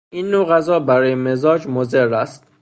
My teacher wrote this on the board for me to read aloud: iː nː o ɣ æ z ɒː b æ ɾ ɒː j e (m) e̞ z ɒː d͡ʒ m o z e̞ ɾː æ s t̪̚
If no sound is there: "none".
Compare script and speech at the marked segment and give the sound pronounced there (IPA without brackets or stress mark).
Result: m